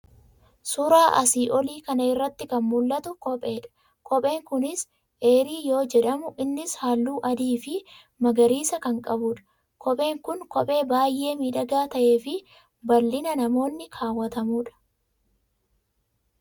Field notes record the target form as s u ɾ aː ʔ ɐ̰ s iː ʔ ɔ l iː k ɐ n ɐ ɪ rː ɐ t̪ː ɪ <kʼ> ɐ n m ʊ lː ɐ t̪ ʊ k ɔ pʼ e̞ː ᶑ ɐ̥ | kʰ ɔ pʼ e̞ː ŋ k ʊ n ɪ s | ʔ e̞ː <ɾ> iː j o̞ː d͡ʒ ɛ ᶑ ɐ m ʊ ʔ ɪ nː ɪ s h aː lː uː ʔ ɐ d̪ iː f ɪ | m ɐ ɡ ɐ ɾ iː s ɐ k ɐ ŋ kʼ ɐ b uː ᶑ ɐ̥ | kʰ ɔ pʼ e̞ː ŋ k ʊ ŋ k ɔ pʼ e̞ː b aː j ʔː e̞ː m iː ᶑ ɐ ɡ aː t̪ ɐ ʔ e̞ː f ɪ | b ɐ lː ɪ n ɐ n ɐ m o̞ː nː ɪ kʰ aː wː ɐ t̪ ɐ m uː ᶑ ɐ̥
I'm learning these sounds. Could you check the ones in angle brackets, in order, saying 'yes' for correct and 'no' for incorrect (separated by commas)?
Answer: no, yes